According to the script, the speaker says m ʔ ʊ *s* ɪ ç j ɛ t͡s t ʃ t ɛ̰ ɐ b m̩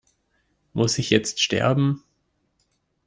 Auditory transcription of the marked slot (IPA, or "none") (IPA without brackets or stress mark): s